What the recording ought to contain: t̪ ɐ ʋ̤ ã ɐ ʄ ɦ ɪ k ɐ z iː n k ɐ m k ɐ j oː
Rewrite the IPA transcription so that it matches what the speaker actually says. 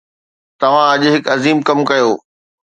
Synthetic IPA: t̪ ɐ ʋ̤ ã ɐ ʄ ɦ ɪ k ɐ z iː m k ɐ m k ɐ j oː